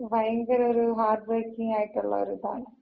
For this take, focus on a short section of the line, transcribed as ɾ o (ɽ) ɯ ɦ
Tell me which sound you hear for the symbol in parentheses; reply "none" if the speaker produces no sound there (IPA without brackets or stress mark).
ɾ